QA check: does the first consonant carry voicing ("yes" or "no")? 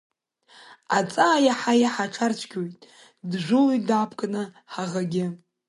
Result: no